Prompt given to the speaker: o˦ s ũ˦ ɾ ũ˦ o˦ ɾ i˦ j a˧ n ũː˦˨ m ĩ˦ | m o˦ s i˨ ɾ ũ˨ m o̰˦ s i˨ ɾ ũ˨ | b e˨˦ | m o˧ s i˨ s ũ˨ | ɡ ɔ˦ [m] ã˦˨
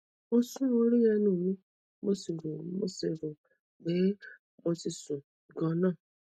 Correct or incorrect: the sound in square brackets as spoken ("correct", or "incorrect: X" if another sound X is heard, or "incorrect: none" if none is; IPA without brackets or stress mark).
incorrect: n